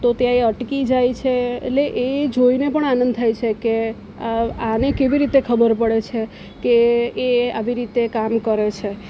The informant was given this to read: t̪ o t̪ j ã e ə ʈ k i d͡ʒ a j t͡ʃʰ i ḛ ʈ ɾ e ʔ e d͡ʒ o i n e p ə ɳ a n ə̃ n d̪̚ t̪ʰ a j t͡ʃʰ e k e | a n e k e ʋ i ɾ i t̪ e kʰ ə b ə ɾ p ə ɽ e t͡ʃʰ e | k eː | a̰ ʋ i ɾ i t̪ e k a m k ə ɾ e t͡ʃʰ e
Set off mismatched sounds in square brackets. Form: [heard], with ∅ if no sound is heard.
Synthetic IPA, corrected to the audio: t̪ o t̪ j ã e ə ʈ k i d͡ʒ a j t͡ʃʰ [e] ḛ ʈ [l] e ʔ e d͡ʒ o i n e p ə ɳ a n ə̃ n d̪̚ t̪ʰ a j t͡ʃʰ e k e | a n e k e ʋ i ɾ i t̪ e kʰ ə b ə ɾ p ə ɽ e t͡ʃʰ e | k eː | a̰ ʋ i ɾ i t̪ e k a m k ə ɾ e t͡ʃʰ e